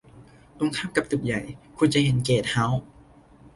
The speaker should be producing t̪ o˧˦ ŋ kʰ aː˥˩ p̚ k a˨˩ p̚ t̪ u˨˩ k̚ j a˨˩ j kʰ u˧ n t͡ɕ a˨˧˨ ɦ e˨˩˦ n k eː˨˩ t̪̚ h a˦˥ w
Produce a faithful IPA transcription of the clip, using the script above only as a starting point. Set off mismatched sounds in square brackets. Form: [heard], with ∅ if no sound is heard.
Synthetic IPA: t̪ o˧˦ ŋ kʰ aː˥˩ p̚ k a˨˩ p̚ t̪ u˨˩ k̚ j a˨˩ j kʰ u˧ n t͡ɕ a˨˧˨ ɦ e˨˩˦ n k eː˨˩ t̪̚ h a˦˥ w